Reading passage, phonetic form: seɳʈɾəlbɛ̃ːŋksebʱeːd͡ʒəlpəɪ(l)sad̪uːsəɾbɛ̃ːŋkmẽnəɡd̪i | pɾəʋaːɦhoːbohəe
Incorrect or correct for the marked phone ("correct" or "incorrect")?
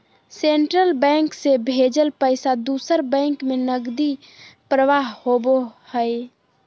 incorrect